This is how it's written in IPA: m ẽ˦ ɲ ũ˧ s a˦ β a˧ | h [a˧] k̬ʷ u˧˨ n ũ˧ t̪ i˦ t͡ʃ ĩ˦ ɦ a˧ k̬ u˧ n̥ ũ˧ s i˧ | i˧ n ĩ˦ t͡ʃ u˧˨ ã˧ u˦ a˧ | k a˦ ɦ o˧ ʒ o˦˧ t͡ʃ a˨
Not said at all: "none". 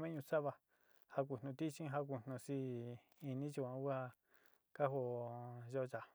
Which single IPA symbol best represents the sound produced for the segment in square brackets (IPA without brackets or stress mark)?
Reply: a˧